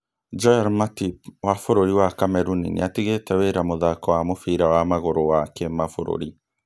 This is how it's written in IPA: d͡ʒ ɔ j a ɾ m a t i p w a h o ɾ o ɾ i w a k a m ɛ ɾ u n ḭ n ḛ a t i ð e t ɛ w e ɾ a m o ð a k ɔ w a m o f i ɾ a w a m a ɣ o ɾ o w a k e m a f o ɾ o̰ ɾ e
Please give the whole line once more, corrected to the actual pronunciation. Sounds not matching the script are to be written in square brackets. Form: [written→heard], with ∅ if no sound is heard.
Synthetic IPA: d͡ʒ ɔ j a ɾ m a t i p w a [h→f] o ɾ o ɾ i w a k a m ɛ ɾ u n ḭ n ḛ a t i [ð→ɣ] e t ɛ w e ɾ a m o ð a k ɔ w a m o f i ɾ a w a m a ɣ o ɾ o w a k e m a f o ɾ o̰ ɾ [e→i]

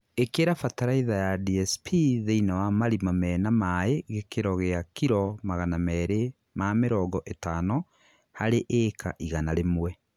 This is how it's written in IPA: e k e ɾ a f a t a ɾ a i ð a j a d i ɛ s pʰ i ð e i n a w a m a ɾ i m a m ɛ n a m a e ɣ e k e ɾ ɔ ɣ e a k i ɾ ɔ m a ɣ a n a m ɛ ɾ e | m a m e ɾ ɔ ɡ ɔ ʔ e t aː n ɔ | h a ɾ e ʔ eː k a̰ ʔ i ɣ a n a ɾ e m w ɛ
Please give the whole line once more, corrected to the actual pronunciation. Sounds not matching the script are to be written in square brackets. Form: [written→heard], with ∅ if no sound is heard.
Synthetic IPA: e k e ɾ a f a t a ɾ a i ð a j a d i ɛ s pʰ i ð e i n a w a m a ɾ i m a m ɛ n a m a e ɣ e k e ɾ ɔ ɣ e a k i ɾ ɔ m a ɣ a n a m ɛ ɾ e | m a m e ɾ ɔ ɡ ɔ ʔ e t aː n ɔ | h a ɾ e ʔ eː k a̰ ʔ i ɣ a n a ɾ e m w ɛ

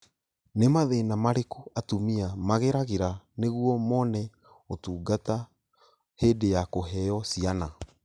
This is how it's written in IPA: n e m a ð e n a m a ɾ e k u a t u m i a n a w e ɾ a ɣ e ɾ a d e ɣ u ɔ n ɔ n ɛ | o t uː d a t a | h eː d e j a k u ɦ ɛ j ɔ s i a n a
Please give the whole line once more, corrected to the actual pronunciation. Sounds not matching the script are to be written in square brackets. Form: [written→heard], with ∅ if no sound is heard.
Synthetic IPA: n e m a ð e n a m a ɾ e k u a t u m i a [n→m] a [w→ɣ] e ɾ a ɣ e ɾ a [d→n] e ɣ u ɔ [n→m] ɔ n ɛ | o t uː [d→ɡ] a t a | h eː d e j a k [u→o] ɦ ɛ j ɔ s i a n a

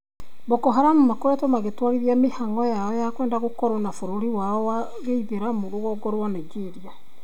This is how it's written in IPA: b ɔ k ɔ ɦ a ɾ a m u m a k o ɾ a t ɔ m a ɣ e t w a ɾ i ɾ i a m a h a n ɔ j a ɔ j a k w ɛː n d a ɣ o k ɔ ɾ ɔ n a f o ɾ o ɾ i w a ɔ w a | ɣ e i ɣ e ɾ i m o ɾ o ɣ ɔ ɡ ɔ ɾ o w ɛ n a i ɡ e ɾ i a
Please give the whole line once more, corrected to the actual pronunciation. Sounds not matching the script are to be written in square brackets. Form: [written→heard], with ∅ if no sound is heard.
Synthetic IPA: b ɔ k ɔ ɦ a ɾ a m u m a k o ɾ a t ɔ m a ɣ e t w a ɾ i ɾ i a m [a→e] h a [n→ŋ] ɔ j a ɔ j a k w ɛː n d a ɣ o k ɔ ɾ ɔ n a f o ɾ o ɾ i w a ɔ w a | ɣ e i [ɣ→ð] e ɾ [i→a] m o ɾ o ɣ ɔ ɡ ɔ ɾ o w [ɛ→a] n a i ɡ e ɾ i a

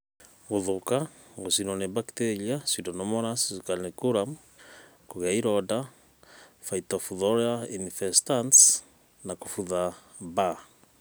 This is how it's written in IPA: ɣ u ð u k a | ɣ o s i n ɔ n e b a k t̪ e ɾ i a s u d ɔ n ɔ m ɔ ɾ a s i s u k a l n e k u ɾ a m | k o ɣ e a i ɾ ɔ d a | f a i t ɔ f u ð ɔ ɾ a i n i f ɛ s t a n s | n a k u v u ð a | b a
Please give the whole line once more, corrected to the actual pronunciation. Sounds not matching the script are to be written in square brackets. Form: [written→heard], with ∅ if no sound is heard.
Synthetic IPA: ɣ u ð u k a | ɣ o s i n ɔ n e b a k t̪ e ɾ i a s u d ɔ n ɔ m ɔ ɾ a s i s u k a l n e k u ɾ a m | k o ɣ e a i ɾ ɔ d a | f a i t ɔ f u ð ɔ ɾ a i n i f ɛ s t a n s | n a k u [v→f] u ð a | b a

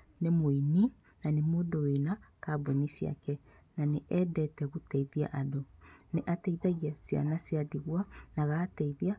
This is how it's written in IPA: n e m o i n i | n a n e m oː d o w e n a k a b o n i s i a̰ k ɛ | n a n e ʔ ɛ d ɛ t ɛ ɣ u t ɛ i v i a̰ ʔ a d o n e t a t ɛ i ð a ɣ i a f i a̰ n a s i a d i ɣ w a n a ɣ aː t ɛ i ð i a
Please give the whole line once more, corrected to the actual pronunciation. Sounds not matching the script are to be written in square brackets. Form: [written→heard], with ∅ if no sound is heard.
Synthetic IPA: n e m o i n i | n a n e m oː d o w e n a k a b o n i s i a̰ k ɛ | n a n e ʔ ɛ d ɛ t ɛ ɣ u t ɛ i [v→ð] i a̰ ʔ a d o n e [t→ʔ] a t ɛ i ð a ɣ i a [f→s] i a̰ n a s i a d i ɣ w a n a ɣ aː t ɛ i ð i a

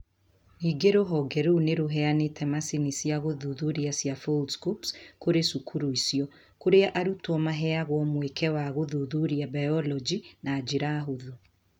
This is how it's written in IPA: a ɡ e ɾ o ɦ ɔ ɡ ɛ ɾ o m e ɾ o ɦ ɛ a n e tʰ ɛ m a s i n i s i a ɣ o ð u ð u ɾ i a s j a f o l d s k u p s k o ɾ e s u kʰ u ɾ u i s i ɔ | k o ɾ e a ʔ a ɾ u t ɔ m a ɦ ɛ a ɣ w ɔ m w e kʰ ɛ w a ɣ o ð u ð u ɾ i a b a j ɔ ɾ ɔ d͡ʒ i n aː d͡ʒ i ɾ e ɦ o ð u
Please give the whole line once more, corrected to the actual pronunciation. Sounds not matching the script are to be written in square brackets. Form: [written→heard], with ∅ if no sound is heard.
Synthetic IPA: [a→i] ɡ e ɾ o ɦ ɔ ɡ ɛ ɾ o [m→n] e ɾ o ɦ ɛ a n e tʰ ɛ m a s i n i s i a ɣ o ð u ð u ɾ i a s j a f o l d s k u p s k o ɾ e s u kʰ u ɾ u i s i ɔ | k o ɾ e a ʔ a ɾ u t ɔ m a ɦ ɛ a ɣ w ɔ m w e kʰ ɛ w a ɣ o ð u ð u ɾ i a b a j ɔ [ɾ→l] ɔ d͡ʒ i n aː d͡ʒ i ɾ [e→a] ɦ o ð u

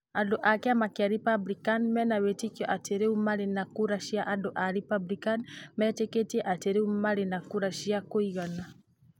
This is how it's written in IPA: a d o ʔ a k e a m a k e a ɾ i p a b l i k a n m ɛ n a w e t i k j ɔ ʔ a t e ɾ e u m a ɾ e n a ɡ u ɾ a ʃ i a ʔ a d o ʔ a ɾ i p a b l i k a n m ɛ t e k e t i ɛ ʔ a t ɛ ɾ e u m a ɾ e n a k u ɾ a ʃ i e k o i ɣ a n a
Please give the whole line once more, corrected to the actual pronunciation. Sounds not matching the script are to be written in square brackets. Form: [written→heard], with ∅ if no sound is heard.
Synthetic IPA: a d o ʔ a k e a m a k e a ɾ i p a b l i k a n m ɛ n a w e t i k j ɔ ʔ a t e ɾ e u m a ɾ e n a [ɡ→k] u ɾ a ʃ i a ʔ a d o ʔ a ɾ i p a b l i k a n m ɛ t e k e t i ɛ ʔ a t [ɛ→e] ɾ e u m a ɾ e n a k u ɾ a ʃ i [e→a] k o i ɣ a n a

